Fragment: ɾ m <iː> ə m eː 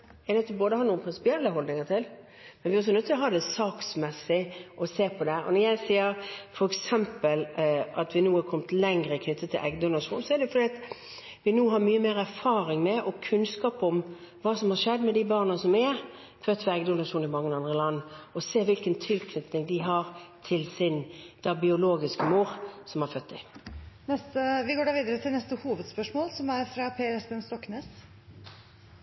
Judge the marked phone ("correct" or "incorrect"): incorrect